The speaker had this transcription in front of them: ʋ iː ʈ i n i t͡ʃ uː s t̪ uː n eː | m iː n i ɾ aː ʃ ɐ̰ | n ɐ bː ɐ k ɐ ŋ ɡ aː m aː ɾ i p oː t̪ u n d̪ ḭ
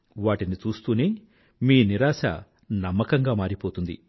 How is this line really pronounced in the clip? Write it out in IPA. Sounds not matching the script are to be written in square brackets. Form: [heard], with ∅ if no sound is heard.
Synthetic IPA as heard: ʋ [aː] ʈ i n i t͡ʃ uː s t̪ uː n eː | m iː n i ɾ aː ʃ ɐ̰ | n ɐ [mː] ɐ k ɐ ŋ ɡ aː m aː ɾ i p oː t̪ u n d̪ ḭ

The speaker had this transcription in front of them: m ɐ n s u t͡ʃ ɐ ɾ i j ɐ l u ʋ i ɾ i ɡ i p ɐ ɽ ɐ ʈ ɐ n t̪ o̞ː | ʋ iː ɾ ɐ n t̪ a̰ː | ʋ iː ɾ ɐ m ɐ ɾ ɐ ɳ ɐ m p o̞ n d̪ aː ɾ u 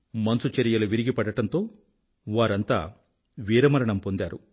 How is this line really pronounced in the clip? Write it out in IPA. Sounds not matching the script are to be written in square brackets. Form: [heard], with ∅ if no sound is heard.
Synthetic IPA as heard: m ɐ n s u t͡ʃ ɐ ɾ i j ɐ l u ʋ i ɾ i ɡ i p ɐ ɽ ɐ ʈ ɐ n t̪ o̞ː | ʋ [aː] ɾ ɐ n t̪ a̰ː | ʋ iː ɾ ɐ m ɐ ɾ ɐ ɳ ɐ m p o̞ n d̪ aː ɾ u

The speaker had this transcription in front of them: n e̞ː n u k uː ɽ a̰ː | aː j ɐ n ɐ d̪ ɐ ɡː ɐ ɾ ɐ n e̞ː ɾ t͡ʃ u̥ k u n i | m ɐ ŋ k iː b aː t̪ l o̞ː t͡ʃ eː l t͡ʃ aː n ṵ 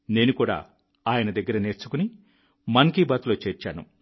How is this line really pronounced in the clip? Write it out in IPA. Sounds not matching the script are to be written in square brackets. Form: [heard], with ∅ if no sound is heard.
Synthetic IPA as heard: n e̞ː n u k uː ɽ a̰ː | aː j ɐ n ɐ d̪ ɐ ɡː ɐ ɾ ɐ n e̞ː ɾ t͡ʃ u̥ k u n i | m ɐ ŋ k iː b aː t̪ l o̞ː t͡ʃ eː [ɾ] t͡ʃ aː n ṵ

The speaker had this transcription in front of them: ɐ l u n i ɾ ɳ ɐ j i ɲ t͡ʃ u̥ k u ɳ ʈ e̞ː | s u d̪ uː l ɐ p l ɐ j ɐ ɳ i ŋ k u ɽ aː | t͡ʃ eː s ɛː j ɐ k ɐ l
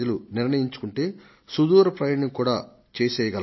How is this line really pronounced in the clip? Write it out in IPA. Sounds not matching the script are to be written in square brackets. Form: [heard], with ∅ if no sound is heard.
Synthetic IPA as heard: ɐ l u n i ɾ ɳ ɐ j i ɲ t͡ʃ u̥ k u ɳ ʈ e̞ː | s u d̪ uː [ɾ] ɐ p [ɾ] ɐ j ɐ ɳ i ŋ k [uː] ɽ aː | t͡ʃ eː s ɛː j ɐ [ɡ] ɐ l

